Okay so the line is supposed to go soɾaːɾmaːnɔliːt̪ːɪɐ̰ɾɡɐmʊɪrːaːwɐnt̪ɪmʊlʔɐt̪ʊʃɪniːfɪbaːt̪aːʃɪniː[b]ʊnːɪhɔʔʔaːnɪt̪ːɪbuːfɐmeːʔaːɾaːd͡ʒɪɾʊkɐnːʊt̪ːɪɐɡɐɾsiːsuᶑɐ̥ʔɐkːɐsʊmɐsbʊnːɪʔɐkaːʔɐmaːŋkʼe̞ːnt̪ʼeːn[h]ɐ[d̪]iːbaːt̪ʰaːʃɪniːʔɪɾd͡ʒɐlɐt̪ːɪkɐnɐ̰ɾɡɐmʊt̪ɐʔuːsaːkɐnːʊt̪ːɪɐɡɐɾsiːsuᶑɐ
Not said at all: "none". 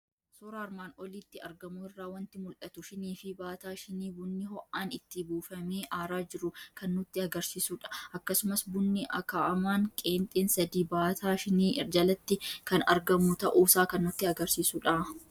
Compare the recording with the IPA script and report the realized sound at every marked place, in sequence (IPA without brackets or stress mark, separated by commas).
b, s, d̪